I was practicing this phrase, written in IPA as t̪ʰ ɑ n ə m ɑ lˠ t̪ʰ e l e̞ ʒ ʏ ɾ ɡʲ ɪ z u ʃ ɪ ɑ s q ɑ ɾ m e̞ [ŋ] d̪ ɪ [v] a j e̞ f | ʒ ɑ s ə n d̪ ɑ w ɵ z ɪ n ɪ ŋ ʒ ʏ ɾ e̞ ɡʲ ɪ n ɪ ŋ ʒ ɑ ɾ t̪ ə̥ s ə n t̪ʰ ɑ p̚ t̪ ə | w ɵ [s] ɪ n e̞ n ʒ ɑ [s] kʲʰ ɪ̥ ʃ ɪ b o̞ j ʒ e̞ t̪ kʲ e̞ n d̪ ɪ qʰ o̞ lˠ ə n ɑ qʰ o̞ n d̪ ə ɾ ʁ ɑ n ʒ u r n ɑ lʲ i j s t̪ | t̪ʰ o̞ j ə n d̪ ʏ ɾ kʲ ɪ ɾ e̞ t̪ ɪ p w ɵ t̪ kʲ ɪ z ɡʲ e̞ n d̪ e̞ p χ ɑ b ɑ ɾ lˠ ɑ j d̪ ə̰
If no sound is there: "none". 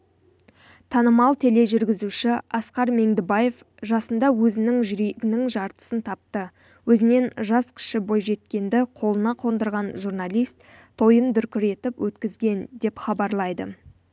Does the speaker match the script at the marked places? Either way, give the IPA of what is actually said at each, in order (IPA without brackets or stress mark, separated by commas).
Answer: ŋ, b, z, s